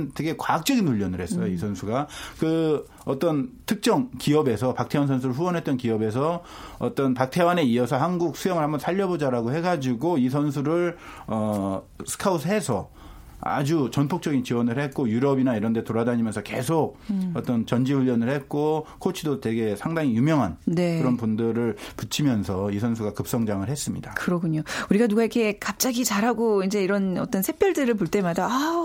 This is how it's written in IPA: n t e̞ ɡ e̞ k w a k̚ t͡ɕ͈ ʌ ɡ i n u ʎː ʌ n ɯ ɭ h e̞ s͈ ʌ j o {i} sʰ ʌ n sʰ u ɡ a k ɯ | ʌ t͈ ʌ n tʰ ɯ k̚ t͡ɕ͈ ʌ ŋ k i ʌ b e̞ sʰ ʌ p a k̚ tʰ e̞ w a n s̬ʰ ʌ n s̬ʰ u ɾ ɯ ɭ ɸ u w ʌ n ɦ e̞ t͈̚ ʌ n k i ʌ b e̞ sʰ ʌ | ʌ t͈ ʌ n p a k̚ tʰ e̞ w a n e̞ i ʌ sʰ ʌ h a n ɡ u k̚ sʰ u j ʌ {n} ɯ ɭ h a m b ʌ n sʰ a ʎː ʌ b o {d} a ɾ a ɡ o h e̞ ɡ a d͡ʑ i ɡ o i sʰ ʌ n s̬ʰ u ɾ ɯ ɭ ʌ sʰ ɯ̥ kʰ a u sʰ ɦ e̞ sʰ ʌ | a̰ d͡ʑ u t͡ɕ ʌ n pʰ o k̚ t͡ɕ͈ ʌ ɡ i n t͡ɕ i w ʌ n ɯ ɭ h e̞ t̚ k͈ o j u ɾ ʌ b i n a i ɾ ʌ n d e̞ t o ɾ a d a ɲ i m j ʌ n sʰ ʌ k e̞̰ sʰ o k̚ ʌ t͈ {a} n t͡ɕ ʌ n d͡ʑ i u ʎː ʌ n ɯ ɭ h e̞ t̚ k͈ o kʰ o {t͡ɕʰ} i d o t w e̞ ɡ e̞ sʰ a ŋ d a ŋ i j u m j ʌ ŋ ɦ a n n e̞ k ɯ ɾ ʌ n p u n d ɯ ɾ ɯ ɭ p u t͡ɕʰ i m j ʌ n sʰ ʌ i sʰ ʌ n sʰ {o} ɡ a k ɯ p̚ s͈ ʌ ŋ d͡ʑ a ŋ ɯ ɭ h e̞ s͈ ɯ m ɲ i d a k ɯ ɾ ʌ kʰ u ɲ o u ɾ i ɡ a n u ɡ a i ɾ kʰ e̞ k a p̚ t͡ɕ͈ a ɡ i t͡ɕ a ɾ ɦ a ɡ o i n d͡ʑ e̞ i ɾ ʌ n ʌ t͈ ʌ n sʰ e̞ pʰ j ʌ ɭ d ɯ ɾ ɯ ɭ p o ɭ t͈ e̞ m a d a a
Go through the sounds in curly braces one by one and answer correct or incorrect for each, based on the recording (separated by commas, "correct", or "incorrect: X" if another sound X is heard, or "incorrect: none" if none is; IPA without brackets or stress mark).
correct, incorrect: ŋ, incorrect: d͡ʑ, incorrect: ʌ, correct, incorrect: u